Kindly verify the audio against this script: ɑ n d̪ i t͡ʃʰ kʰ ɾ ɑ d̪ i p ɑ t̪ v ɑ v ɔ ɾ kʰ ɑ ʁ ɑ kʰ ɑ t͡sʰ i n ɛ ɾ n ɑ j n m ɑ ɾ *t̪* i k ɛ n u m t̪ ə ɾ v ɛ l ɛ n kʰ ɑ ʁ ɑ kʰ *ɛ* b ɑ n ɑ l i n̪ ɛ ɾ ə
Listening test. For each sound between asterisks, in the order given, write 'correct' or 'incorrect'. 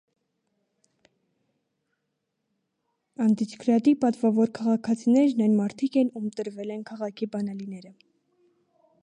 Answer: incorrect, incorrect

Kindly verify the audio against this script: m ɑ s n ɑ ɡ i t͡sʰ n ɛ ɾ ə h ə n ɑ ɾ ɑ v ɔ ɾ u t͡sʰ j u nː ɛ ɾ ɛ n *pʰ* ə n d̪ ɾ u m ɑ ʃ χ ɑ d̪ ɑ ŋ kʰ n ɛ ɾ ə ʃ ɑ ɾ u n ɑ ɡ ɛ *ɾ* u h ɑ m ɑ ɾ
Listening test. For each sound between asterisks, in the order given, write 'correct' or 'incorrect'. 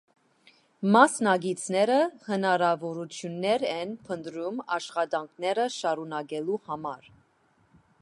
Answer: correct, incorrect

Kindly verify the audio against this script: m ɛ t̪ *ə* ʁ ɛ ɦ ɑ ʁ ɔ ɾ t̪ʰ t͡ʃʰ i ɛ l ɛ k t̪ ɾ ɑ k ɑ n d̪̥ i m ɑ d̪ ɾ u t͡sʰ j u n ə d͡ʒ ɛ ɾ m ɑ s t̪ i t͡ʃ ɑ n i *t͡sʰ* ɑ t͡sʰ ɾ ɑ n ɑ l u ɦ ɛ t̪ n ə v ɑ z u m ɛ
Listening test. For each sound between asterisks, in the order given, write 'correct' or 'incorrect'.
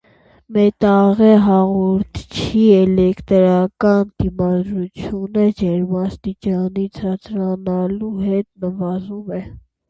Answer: incorrect, correct

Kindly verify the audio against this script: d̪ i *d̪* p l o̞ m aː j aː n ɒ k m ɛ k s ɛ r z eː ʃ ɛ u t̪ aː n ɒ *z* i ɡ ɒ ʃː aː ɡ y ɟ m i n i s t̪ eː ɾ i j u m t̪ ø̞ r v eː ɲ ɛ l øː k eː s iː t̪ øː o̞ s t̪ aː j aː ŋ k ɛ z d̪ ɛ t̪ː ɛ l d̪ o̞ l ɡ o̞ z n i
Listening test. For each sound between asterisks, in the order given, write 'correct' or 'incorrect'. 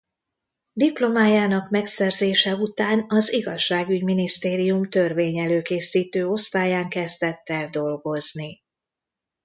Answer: incorrect, correct

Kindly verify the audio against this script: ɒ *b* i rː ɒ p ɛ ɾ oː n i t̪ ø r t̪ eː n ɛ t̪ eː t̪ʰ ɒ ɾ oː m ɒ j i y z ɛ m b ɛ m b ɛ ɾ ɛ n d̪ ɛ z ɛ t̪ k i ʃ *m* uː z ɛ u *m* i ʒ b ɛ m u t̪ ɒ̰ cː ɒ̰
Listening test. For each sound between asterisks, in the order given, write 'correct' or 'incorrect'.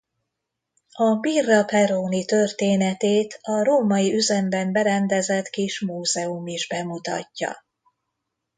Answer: correct, correct, correct

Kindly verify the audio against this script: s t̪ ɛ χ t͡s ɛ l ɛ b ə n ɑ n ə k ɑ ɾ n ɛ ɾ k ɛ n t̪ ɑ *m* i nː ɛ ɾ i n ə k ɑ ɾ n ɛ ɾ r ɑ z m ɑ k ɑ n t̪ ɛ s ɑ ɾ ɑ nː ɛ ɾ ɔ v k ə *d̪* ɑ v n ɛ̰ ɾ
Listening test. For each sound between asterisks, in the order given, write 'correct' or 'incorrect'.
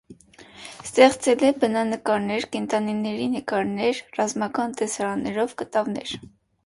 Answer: incorrect, incorrect

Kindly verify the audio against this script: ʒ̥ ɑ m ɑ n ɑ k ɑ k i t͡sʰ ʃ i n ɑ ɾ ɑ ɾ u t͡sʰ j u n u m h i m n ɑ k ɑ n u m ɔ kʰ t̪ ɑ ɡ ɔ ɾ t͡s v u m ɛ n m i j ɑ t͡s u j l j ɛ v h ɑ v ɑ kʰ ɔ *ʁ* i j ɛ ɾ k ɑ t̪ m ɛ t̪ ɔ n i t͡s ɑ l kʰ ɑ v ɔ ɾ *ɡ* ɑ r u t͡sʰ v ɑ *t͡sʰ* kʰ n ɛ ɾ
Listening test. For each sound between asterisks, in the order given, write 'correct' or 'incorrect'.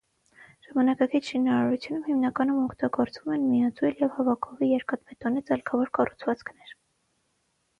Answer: incorrect, incorrect, incorrect

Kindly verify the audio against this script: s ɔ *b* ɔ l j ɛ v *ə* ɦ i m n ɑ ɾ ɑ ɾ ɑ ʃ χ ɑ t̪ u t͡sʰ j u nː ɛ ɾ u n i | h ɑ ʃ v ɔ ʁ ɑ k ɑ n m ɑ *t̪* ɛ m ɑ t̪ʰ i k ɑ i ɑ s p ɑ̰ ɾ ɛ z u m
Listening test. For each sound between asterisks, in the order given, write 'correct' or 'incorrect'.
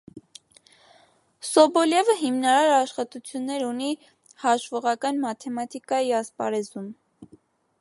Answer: correct, correct, incorrect

